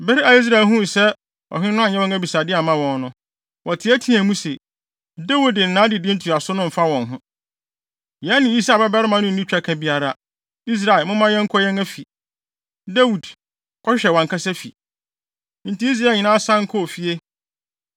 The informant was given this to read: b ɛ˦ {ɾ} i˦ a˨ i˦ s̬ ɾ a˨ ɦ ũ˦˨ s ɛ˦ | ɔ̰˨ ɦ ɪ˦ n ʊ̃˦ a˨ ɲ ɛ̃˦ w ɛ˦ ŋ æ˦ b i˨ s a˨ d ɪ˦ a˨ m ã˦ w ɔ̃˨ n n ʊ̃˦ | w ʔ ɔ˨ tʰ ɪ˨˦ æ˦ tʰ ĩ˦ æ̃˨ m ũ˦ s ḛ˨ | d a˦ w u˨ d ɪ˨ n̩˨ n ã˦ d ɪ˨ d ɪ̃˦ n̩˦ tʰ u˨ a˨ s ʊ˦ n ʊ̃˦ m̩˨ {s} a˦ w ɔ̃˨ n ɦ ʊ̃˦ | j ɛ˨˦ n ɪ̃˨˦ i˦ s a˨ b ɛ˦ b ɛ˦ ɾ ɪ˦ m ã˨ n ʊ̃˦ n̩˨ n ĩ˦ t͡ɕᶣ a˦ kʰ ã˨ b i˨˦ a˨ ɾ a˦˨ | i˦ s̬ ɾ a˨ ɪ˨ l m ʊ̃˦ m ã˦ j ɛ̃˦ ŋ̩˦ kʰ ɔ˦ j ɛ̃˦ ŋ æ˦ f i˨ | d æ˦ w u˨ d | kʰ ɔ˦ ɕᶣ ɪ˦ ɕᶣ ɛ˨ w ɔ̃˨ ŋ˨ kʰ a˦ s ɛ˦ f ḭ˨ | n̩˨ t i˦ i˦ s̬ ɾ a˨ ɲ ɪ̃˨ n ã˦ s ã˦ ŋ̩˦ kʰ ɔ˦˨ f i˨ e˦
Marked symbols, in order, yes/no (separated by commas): yes, no